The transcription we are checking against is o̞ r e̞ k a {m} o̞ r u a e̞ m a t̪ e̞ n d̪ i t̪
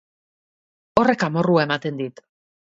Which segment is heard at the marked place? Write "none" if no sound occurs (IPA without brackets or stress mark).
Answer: m